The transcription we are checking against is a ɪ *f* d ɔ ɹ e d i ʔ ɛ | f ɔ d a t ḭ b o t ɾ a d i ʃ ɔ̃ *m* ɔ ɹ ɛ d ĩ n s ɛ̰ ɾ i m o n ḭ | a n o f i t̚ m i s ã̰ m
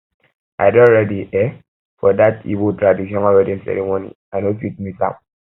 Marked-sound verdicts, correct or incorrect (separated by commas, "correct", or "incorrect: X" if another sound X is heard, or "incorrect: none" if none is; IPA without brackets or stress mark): incorrect: none, incorrect: n